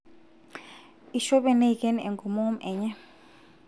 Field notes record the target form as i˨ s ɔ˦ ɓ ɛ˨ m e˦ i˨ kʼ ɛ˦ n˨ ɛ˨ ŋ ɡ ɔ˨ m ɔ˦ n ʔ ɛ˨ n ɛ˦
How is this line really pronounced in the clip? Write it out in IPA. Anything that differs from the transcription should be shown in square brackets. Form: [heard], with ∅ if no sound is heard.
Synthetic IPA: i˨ [ʃ] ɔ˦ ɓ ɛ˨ [n] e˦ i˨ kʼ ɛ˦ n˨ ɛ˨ ŋ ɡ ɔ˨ m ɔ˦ [m] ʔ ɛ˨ [ɲ] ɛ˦